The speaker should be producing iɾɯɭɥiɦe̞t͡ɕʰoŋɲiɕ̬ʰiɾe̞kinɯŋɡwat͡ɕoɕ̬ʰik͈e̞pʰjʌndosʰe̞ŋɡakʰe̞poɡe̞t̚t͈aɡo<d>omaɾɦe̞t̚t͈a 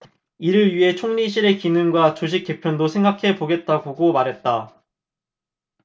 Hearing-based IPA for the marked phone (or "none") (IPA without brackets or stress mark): ɡ